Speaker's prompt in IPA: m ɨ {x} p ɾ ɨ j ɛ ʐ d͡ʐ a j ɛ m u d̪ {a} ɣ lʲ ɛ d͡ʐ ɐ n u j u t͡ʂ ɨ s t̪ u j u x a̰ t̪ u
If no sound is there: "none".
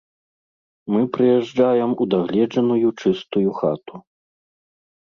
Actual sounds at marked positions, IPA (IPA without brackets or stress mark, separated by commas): none, a